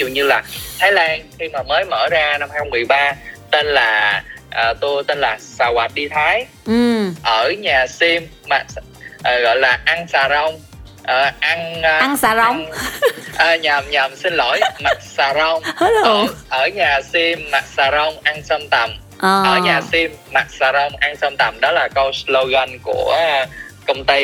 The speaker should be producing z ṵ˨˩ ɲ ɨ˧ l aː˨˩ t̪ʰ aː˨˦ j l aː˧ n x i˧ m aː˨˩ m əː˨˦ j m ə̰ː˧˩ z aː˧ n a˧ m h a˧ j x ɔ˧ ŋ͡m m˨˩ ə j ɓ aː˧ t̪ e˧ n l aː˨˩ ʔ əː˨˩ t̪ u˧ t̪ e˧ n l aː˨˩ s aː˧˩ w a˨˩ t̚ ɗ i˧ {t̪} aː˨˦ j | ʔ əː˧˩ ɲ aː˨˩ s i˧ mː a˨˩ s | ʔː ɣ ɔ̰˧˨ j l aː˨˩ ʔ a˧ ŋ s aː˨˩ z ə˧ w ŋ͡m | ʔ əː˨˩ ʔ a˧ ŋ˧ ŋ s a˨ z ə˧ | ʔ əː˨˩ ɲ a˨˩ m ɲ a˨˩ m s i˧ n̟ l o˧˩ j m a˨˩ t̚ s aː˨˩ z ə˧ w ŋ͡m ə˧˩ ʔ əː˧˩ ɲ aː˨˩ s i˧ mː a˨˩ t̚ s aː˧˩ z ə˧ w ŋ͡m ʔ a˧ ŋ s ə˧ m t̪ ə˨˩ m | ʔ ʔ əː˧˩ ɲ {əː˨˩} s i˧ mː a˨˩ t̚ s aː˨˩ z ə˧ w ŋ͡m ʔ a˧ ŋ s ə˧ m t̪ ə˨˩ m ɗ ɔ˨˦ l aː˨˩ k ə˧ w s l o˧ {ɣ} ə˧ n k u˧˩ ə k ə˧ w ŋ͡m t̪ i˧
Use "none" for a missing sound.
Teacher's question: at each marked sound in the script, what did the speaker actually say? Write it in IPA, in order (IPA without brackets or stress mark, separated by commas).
t̪ʰ, aː˨˩, ɣ